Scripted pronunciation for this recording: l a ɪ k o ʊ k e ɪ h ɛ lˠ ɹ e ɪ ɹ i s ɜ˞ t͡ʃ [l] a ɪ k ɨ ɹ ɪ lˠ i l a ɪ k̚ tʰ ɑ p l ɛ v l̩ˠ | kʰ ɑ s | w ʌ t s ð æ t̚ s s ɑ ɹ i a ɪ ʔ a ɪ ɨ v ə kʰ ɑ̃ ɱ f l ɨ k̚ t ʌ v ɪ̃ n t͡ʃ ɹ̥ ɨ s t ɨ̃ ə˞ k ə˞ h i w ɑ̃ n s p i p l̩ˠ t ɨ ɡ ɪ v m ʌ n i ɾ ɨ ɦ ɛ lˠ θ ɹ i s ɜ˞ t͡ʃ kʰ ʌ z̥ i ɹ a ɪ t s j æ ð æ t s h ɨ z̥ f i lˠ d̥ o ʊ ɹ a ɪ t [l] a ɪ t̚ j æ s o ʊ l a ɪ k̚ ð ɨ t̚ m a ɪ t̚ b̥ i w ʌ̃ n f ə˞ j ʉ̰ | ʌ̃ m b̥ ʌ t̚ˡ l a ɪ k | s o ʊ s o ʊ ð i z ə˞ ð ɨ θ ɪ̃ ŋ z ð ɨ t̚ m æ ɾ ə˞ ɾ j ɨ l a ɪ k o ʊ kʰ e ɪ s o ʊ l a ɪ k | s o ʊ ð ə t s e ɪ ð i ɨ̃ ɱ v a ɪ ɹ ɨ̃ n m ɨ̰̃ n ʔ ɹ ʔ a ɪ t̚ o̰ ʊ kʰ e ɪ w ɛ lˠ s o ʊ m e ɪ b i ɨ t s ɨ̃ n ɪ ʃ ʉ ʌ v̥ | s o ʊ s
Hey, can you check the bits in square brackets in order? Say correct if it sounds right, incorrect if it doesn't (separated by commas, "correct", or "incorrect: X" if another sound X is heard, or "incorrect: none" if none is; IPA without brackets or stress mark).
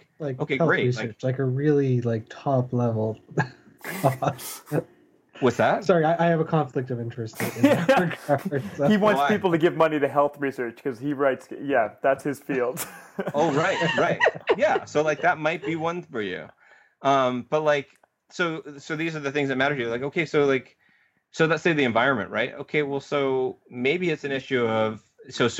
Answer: correct, incorrect: ɹ